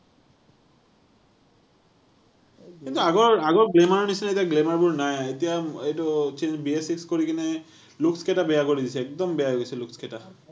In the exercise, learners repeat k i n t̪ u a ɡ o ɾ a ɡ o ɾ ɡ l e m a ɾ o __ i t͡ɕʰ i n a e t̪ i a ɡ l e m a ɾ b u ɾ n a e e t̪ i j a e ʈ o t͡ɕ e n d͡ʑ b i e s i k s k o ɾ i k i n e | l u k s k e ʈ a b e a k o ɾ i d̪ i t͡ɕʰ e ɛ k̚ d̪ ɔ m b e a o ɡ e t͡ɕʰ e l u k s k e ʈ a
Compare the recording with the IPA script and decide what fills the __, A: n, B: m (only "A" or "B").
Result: A